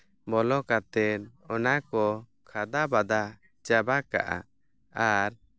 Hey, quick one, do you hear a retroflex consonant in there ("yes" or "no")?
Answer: no